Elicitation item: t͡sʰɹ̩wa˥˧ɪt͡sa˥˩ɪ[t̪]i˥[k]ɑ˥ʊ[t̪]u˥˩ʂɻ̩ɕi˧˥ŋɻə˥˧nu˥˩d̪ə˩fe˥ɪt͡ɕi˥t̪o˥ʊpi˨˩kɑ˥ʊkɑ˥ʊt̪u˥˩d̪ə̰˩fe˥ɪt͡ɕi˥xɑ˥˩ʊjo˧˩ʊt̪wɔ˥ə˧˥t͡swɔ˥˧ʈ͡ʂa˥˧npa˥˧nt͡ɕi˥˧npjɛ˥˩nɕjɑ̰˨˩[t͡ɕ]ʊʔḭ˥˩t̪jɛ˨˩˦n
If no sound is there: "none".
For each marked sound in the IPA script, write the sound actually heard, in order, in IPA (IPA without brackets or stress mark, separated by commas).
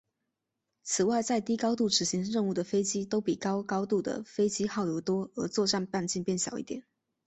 t̪, k, t̪, none